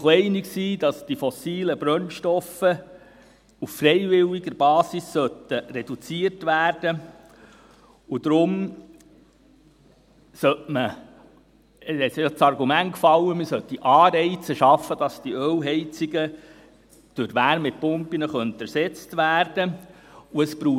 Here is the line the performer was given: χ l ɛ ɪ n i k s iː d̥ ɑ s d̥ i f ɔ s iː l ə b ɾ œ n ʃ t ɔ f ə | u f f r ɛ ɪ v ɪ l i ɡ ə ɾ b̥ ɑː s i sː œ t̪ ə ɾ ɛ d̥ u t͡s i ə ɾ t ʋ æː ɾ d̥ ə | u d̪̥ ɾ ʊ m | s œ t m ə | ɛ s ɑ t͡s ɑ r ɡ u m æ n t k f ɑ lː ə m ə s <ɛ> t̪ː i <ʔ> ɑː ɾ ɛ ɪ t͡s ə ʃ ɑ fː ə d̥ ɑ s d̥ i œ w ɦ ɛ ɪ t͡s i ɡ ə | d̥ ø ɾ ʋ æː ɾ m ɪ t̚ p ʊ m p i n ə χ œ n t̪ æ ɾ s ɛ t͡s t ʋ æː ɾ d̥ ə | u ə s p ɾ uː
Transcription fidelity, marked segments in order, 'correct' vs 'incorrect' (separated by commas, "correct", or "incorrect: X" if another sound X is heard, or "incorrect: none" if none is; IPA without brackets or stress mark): incorrect: œ, correct